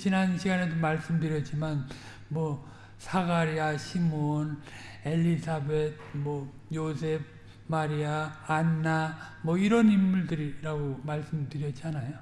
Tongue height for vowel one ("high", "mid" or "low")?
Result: high